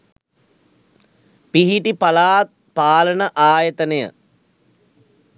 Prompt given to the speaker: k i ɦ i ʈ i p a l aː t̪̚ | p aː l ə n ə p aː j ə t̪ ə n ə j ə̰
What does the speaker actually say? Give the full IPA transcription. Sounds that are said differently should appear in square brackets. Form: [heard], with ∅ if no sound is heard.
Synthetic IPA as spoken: [p] i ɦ i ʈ i p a l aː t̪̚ | p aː l ə n ə [ʔ] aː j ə t̪ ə n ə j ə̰